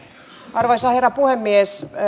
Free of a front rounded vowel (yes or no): yes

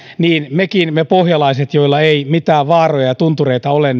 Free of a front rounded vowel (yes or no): yes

